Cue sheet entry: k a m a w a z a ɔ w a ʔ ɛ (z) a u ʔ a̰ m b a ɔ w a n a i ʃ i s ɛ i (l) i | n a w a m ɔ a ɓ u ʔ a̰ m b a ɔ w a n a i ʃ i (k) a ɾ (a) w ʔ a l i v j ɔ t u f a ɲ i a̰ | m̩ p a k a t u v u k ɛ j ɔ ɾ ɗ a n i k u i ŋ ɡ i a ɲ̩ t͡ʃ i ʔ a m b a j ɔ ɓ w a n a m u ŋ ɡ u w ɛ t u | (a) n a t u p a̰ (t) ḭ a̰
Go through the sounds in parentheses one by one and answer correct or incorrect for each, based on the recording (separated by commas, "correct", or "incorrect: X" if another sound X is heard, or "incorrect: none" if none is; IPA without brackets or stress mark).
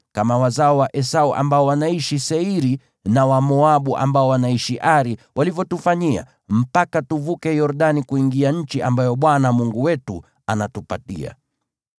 incorrect: s, incorrect: ɾ, incorrect: ʔ, incorrect: i, correct, correct